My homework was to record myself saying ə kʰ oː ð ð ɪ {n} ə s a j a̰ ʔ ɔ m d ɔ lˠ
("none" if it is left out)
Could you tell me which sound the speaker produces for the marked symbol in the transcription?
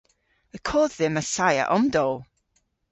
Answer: m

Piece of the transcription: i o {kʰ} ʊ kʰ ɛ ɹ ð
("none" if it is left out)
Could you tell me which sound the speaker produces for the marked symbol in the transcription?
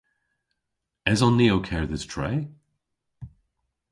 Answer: none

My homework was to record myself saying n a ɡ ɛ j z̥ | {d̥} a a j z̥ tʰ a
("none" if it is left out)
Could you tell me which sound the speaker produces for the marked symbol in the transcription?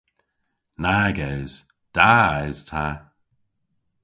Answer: d̥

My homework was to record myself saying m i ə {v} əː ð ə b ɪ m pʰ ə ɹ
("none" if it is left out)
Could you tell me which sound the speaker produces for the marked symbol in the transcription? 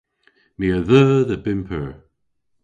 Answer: ð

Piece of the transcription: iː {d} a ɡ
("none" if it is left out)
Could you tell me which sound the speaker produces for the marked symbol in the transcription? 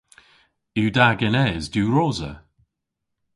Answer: d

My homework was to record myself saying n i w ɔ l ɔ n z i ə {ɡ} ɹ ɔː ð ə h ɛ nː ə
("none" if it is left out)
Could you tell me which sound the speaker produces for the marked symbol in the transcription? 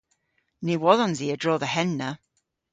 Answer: d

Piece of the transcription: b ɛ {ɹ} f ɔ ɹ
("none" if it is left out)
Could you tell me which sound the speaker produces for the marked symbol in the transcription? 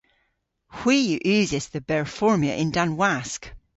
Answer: ɹ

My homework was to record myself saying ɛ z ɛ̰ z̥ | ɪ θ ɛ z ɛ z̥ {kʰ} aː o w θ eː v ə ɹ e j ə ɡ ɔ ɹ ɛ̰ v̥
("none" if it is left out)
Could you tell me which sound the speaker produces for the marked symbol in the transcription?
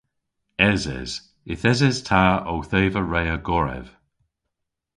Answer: tʰ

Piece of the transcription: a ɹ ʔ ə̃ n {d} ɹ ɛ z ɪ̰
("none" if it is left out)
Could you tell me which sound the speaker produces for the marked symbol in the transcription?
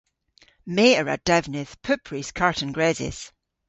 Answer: ɡ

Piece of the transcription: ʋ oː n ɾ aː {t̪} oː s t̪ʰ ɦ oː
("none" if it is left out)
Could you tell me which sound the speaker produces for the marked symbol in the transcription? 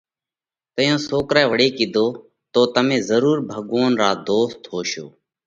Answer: d̪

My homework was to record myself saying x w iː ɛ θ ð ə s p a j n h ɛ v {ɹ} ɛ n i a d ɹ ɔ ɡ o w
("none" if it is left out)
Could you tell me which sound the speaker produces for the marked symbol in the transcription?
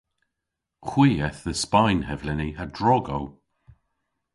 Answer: l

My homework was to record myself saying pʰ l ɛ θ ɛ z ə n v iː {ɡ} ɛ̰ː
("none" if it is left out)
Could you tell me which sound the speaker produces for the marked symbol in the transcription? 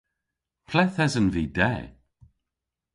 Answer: d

